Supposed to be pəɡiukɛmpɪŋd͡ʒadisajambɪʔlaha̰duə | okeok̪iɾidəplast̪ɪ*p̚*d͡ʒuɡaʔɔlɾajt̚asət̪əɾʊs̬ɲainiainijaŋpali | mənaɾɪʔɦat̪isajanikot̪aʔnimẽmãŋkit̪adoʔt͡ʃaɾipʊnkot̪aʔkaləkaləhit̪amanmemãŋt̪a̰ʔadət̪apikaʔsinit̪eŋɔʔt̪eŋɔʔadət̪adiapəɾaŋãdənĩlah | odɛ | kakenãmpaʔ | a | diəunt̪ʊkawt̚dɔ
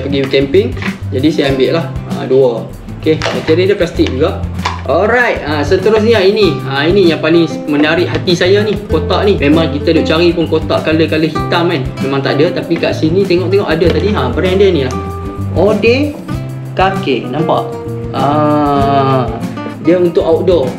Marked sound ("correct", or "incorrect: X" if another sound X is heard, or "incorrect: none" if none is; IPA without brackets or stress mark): incorrect: k̚